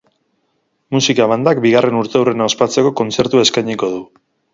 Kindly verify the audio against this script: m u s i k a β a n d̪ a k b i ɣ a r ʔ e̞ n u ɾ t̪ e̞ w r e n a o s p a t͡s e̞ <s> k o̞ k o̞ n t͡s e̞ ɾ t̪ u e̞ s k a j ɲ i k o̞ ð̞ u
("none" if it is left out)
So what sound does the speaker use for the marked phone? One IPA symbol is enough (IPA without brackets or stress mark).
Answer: none